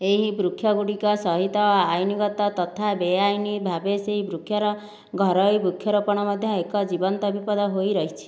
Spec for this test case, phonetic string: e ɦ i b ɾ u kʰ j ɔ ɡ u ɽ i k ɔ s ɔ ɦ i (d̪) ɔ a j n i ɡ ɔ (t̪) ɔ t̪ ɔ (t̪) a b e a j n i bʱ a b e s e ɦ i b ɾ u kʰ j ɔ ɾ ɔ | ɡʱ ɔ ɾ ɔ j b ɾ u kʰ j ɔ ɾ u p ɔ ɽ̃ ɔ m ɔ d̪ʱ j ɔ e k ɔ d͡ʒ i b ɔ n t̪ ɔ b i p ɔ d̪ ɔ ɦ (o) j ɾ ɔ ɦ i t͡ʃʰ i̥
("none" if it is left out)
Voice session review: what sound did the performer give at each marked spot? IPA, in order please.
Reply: t̪, t̪, t̪ʰ, o

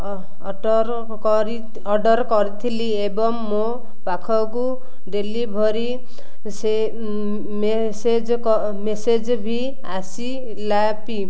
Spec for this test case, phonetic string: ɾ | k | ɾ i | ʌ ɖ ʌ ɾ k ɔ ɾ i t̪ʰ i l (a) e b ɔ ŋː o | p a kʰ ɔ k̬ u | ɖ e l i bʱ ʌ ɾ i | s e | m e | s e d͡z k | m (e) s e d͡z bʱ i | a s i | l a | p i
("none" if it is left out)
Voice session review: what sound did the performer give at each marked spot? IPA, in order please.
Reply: i, e

